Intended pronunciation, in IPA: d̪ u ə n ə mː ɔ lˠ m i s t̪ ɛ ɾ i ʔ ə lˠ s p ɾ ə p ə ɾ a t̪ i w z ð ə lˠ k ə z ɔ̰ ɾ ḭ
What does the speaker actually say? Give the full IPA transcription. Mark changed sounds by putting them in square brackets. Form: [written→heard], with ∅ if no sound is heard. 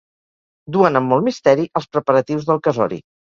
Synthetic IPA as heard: d̪ u ə n ə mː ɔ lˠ m i s t̪ ɛ ɾ i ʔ ə lˠ s p ɾ ə p ə ɾ [a→ə] t̪ i w z ð ə lˠ k ə z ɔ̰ ɾ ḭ